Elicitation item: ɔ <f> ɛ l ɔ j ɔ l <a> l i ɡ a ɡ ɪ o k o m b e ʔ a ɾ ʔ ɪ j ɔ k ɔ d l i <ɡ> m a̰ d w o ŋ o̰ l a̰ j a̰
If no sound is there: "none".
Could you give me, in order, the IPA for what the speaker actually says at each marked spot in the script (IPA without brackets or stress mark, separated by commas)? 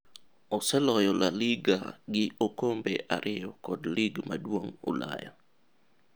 s, a, ɡ